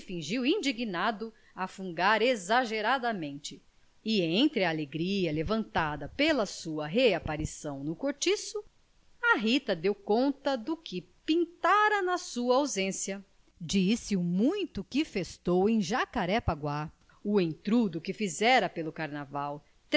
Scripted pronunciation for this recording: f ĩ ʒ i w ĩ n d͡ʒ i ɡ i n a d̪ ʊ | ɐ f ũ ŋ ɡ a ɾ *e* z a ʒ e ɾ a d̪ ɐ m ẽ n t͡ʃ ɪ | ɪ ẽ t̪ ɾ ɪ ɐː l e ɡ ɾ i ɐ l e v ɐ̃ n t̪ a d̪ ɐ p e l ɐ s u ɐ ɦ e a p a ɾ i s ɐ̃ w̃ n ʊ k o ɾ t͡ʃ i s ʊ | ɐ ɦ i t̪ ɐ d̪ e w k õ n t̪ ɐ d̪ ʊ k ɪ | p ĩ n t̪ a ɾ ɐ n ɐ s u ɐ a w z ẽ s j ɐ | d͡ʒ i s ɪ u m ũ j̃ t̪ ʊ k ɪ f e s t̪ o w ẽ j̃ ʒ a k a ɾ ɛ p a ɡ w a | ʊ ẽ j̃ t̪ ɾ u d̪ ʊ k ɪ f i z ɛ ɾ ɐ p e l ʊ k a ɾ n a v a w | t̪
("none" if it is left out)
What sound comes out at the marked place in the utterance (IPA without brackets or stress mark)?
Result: e